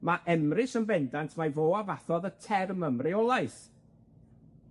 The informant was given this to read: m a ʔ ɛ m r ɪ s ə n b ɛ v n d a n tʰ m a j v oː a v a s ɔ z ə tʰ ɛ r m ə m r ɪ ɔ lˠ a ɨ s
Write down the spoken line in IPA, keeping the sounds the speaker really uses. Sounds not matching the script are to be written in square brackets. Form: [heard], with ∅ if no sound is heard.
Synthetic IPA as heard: m a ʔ ɛ m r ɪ s ə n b ɛ [∅] n d a n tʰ m a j v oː a v a [θ] ɔ [ð] ə tʰ ɛ r m ə m r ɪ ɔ lˠ a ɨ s